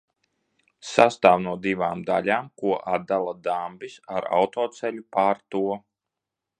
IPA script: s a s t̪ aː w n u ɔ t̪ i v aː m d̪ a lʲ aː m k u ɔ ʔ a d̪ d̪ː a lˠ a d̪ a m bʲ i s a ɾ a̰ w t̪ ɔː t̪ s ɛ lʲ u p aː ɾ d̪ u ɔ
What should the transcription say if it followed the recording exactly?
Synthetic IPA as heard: s a s t̪ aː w n u ɔ d̪ i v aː m d̪ a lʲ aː m k u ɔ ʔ a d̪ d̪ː a lˠ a d̪ a m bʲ i s a ɾ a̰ w t̪ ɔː t̪ s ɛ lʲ u p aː ɾ t̪ u ɔ